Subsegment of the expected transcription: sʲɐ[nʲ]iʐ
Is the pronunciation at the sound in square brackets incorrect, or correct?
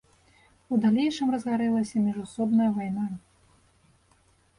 incorrect